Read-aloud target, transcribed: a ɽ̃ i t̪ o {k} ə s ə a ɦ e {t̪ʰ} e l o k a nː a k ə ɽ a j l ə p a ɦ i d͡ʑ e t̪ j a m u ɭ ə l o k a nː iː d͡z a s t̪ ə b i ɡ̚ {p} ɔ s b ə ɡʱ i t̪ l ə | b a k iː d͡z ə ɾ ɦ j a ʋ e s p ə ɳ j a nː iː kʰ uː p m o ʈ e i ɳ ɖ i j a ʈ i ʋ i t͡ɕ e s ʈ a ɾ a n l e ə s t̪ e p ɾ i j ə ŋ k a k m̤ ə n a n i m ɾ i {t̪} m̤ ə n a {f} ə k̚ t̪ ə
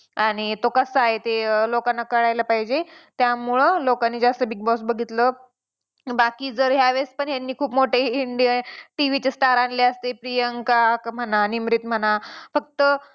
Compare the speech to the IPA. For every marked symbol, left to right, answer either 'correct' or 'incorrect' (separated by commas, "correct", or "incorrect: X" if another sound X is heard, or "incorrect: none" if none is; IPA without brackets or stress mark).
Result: correct, incorrect: t̪, incorrect: b, correct, correct